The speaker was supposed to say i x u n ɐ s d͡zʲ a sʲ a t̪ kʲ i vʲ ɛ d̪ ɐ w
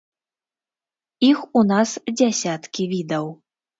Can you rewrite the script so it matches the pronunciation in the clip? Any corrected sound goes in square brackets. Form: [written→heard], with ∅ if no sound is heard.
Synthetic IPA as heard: i x u n [ɐ→a] s d͡zʲ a sʲ a t̪ kʲ i vʲ [ɛ→i] d̪ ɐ w